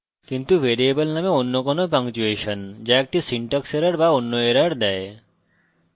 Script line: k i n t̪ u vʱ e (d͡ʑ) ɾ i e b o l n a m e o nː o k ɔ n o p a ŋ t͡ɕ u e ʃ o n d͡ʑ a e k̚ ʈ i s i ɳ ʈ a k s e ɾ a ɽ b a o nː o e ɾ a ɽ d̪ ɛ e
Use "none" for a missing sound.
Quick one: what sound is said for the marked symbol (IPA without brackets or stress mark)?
none